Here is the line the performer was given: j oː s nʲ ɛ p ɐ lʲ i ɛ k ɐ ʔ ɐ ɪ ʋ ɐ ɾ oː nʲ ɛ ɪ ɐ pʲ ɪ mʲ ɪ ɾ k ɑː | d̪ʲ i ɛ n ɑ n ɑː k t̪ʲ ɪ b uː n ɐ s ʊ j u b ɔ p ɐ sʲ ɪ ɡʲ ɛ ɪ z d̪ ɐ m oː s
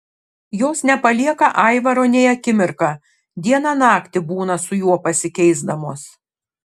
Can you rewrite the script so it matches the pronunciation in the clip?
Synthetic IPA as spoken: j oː s nʲ ɛ p ɐ lʲ i ɛ k ɐ ʔ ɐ ɪ ʋ ɐ ɾ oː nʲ ɛ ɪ ɐ kʲ ɪ mʲ ɪ ɾ k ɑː | d̪ʲ i ɛ n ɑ n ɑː k t̪ʲ ɪ b uː n ɐ s ʊ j u ɔ p ɐ sʲ ɪ kʲ ɛ ɪ z d̪ ɐ m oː s